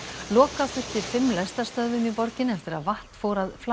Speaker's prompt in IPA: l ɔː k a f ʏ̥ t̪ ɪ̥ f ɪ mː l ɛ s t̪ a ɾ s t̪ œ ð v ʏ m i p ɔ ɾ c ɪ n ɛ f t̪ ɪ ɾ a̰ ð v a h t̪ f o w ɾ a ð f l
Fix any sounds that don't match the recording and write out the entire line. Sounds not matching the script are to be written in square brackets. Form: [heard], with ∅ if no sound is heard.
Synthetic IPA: l ɔː k a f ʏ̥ t̪ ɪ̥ f ɪ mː l ɛ s t̪ a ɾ s t̪ œ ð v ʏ m i p ɔ ɾ c ɪ n ɛ f t̪ ɪ ɾ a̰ ð v a h t̪ f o w ɾ a ð f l